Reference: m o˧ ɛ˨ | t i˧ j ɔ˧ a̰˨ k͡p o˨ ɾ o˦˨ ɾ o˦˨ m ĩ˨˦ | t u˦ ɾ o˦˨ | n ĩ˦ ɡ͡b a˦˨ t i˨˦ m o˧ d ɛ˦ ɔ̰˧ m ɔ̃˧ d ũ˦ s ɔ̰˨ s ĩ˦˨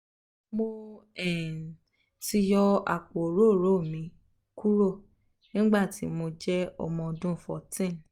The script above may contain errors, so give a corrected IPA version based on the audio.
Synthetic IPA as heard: m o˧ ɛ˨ | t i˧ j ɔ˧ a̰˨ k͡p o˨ ɾ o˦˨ ɾ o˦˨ m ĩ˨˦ | k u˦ ɾ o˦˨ | n ĩ˦ ɡ͡b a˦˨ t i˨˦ m o˧ d͡ʒ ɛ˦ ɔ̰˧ m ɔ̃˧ d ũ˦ f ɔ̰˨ t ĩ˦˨

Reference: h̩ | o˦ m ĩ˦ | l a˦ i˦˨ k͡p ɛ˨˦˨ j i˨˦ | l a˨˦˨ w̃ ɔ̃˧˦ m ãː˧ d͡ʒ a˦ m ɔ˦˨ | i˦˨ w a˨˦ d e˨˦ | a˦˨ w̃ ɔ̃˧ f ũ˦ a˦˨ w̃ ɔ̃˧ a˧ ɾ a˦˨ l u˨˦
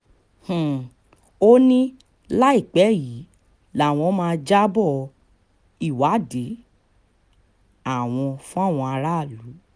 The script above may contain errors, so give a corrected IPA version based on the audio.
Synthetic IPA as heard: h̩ | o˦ n ĩ˦ | l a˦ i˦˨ k͡p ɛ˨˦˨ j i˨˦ | l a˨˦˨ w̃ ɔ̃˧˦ m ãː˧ d͡ʒ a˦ b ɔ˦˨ | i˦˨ w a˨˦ d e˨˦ | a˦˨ w̃ ɔ̃˧ f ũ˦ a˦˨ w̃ ɔ̃˧ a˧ ɾ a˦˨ l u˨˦

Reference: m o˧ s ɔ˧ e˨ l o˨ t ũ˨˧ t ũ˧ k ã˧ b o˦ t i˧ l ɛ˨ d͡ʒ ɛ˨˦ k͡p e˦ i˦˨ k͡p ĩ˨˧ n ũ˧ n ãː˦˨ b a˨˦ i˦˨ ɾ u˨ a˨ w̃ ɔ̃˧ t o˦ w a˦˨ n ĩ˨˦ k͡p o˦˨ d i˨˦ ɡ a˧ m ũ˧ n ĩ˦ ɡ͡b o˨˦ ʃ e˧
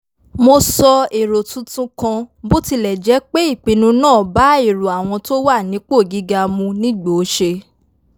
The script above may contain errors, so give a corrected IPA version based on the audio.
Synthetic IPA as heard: m o˧ s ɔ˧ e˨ ɾ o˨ t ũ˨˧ t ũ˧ k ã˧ b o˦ t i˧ l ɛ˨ d͡ʒ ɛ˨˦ k͡p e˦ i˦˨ k͡p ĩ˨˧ n ũ˧ n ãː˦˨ b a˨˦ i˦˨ ɾ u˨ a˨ w̃ ɔ̃˧ t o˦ w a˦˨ n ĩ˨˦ k͡p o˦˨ ɡ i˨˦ ɡ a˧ m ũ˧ n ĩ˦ ɡ͡b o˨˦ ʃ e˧

